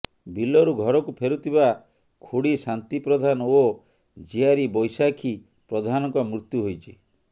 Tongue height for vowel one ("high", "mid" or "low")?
high